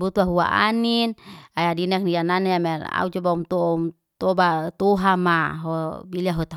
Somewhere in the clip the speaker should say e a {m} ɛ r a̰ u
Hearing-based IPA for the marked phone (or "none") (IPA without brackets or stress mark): m